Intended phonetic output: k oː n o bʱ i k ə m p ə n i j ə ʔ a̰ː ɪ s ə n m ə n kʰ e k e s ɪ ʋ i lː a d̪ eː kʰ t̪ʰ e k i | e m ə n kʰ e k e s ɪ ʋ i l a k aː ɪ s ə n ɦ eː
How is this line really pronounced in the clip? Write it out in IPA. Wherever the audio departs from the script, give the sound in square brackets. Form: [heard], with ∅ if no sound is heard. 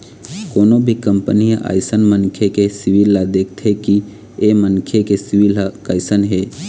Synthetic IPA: k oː n o bʱ i k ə m p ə n i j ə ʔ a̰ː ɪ s ə n m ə n kʰ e k e s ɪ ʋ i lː a d̪ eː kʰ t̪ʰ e k i | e m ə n kʰ e k e s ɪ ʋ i l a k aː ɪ s ə n ɦ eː